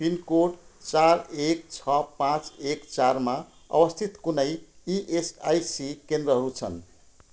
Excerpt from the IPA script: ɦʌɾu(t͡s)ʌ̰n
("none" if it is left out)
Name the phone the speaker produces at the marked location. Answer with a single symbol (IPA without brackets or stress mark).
t͡sʰ